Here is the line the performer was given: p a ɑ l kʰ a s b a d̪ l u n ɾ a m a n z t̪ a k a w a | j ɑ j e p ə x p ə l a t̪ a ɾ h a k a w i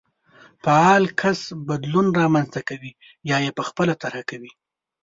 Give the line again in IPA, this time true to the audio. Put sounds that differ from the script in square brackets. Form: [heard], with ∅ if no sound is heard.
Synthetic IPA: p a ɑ l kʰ a s b a d̪ l u n ɾ [ɑ] m a n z t̪ a k a w [i] | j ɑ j e p ə x p ə l a t̪ a ɾ h a k a w i